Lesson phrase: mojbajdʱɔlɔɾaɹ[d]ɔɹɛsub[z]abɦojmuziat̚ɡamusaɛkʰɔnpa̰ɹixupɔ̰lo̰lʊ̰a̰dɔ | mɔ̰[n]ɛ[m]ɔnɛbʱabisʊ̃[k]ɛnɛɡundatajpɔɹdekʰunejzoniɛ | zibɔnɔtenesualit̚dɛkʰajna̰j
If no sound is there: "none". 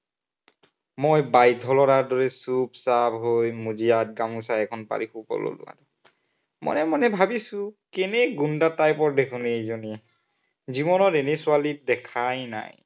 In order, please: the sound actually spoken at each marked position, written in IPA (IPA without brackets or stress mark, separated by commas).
d, s, n, m, k